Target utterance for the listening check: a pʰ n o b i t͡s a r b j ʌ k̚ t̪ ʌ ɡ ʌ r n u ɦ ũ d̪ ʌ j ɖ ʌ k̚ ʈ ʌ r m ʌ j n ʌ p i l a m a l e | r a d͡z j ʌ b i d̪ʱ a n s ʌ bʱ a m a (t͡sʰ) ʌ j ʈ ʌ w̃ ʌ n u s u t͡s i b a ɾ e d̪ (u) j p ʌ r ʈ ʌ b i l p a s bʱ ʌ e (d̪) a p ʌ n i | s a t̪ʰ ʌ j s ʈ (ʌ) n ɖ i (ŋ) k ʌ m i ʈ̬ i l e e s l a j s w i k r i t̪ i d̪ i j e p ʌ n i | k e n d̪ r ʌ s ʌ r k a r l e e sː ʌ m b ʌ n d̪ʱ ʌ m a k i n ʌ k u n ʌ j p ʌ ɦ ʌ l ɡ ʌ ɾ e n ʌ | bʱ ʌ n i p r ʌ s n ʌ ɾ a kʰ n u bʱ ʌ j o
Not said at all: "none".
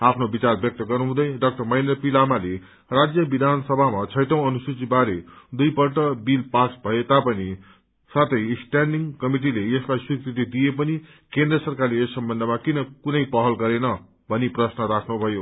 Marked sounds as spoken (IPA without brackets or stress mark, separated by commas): t͡sʰ, u, t̪, a, ŋ